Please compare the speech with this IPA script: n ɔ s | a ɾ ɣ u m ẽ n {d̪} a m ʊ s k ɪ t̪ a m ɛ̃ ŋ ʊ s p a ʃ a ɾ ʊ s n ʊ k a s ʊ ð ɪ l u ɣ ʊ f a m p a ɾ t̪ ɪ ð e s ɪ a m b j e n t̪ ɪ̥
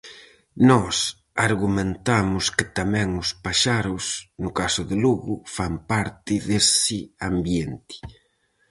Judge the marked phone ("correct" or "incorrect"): incorrect